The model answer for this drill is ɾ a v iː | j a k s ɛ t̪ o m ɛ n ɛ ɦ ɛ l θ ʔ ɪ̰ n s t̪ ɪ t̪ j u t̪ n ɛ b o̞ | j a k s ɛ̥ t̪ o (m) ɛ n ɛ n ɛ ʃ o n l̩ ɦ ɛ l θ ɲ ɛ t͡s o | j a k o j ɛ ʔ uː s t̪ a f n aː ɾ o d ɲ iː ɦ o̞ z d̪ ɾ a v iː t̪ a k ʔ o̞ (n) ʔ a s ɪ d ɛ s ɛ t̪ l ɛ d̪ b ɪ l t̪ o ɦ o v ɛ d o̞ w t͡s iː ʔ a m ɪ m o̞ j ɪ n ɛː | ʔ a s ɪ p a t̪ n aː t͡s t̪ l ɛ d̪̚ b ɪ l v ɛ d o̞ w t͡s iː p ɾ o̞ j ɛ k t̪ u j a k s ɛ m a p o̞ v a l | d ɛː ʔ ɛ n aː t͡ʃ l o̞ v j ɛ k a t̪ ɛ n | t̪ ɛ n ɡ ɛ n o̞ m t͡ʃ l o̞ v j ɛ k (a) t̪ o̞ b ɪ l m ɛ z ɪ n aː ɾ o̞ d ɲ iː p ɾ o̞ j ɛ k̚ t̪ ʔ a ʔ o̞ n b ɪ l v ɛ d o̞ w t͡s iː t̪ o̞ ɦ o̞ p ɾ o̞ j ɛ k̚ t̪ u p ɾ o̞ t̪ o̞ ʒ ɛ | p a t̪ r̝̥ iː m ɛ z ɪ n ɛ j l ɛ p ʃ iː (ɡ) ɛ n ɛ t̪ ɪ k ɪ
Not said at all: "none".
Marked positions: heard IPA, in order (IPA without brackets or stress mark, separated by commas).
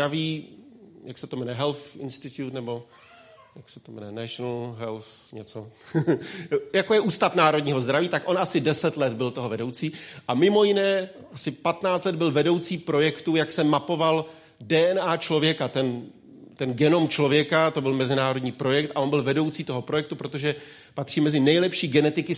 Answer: m, n, a, ɡ